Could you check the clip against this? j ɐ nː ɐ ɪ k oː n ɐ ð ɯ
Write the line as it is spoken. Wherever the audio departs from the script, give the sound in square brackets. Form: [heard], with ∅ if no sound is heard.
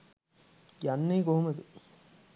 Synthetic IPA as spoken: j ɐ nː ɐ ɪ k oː [m] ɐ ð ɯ

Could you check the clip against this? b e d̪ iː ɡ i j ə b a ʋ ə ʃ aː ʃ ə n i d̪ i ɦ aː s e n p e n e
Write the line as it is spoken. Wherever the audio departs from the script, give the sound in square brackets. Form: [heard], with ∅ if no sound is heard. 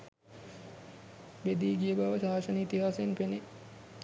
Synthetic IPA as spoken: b e d̪ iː ɡ i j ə b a ʋ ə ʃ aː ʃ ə n i [t̪] i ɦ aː s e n p e n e

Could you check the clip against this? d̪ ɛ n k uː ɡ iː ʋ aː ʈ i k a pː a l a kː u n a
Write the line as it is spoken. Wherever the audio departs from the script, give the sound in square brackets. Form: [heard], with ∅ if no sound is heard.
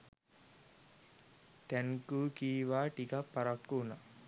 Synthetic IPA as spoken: [t̪] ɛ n k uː [k] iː ʋ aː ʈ i k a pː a [ɾ] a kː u n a

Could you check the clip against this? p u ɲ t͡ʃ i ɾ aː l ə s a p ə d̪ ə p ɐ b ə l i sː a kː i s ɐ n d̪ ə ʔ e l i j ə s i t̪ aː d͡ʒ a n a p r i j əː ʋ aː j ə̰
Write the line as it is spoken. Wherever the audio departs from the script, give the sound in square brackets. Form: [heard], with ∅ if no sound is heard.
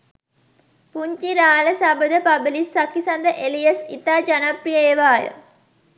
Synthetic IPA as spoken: p u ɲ t͡ʃ i ɾ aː l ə s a [b] ə d̪ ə p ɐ b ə l i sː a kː i s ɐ n d̪ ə ʔ e l i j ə s i t̪ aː d͡ʒ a n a p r i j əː ʋ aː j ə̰

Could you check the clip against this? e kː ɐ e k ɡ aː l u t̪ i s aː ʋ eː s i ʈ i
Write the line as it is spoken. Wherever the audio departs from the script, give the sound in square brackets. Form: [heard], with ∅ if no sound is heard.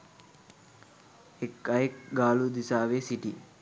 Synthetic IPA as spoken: e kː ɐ e k ɡ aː l u [d̪] i s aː ʋ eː s i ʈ i

